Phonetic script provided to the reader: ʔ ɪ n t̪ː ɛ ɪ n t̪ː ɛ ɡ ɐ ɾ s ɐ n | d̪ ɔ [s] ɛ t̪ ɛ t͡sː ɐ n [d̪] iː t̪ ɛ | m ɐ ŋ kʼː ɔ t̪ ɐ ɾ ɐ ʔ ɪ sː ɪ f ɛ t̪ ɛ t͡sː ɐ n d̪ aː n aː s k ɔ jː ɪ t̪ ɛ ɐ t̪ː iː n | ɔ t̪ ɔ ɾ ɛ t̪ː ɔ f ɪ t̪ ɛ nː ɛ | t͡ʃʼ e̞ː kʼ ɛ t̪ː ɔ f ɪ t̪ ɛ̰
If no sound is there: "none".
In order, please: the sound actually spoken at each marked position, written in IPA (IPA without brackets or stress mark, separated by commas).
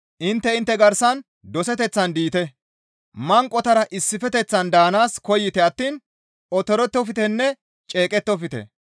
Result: s, d̪